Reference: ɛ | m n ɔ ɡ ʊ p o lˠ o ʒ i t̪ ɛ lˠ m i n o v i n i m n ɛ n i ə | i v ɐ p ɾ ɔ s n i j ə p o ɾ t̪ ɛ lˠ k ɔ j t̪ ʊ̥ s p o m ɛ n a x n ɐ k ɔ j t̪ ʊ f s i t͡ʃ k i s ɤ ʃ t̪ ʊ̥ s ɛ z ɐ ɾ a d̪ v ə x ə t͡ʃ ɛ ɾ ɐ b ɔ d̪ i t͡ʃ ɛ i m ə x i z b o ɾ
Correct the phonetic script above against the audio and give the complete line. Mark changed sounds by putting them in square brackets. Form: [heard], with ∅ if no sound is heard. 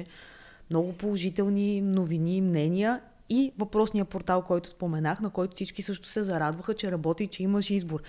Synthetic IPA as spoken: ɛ | m n ɔ ɡ ʊ p o lˠ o ʒ i t̪ ɛ lˠ [n] i n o v i n i m n ɛ n i ə | i v ɐ p ɾ ɔ s n i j ə p o ɾ t̪ [a] lˠ k ɔ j t̪ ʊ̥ s p o m ɛ n a x n ɐ k ɔ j t̪ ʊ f s i t͡ʃ k i s ɤ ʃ t̪ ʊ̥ s ɛ z ɐ ɾ a d̪ v ə x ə t͡ʃ ɛ ɾ ɐ b ɔ [t̪] i t͡ʃ ɛ i m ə [ʃ] i z b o ɾ